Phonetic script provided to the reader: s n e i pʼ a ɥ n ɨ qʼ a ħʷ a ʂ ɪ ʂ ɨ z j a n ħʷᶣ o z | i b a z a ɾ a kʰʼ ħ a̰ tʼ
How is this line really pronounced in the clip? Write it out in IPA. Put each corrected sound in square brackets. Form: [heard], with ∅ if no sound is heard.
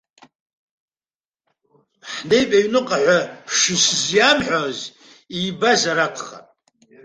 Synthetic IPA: [ħ] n e [j] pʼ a ɥ n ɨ qʼ a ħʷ a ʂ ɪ [s] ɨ z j a [m] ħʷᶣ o z | i b a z a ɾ a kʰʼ [χ] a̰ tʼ